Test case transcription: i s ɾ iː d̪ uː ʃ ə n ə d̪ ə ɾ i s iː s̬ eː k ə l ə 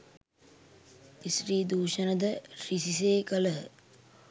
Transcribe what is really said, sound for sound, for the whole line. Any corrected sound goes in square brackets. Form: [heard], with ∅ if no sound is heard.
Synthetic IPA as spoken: i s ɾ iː d̪ uː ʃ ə n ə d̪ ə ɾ i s [i] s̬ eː k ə l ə